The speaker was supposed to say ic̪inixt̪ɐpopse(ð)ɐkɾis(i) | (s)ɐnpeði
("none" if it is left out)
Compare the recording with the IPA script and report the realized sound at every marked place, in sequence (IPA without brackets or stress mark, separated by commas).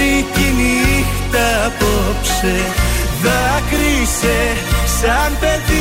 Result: ð, e, s